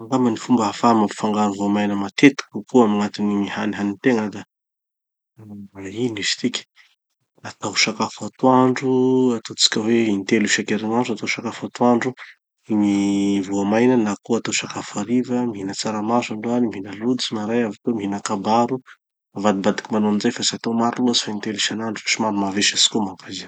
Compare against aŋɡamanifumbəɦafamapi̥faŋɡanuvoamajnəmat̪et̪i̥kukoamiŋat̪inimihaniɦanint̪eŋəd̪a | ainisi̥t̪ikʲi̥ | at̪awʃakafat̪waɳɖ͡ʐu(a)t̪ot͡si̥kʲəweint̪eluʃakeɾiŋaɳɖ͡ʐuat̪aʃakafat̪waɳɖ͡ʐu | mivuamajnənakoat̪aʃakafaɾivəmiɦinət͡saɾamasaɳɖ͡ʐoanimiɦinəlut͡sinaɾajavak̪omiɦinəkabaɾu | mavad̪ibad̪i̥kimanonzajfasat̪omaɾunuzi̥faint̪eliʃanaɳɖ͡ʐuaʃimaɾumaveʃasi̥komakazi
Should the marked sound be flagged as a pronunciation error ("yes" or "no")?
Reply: no